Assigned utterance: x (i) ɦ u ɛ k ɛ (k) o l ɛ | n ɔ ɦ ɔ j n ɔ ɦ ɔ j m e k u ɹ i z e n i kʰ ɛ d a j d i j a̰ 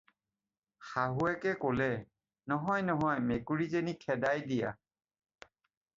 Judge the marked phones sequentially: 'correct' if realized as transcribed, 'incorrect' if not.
incorrect, correct

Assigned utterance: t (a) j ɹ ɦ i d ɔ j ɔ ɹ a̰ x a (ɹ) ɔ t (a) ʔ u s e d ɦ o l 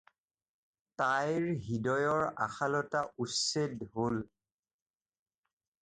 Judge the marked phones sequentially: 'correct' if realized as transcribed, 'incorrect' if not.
correct, incorrect, correct

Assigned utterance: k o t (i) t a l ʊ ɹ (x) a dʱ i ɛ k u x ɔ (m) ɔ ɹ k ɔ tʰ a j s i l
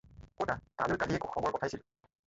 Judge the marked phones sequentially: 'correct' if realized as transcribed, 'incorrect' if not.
incorrect, incorrect, incorrect

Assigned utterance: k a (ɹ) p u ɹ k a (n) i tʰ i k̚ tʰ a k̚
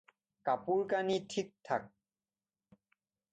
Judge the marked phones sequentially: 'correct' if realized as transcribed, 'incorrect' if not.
incorrect, correct

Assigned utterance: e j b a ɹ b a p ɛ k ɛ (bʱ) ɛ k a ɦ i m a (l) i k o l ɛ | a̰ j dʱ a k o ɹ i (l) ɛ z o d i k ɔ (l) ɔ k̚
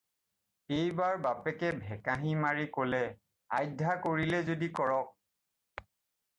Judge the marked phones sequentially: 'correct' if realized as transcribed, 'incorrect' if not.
correct, incorrect, correct, incorrect

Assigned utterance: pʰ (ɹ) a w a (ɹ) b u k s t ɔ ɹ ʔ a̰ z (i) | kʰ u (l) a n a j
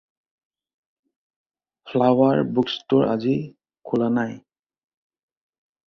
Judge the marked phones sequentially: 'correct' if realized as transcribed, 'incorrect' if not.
incorrect, correct, correct, correct

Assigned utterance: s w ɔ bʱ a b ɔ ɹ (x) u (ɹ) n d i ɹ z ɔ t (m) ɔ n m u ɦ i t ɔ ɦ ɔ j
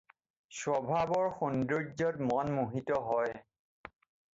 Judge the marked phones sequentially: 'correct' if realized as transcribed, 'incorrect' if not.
correct, incorrect, correct

